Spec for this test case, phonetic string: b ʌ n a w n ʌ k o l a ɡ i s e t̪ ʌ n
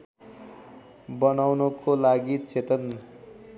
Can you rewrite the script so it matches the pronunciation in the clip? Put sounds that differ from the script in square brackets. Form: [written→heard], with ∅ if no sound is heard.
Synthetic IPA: b ʌ n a w n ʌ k o l a ɡ i [s→t͡s] e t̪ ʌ n